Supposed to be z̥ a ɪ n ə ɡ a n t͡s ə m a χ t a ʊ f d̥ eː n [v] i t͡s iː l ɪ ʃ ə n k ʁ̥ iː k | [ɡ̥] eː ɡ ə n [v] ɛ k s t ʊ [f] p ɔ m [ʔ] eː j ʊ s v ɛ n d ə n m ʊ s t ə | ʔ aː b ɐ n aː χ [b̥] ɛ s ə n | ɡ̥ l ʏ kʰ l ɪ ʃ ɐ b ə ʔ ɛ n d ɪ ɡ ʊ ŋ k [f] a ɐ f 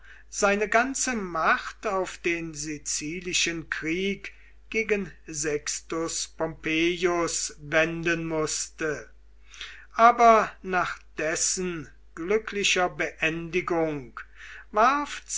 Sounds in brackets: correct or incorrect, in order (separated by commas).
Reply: incorrect, correct, incorrect, incorrect, incorrect, incorrect, incorrect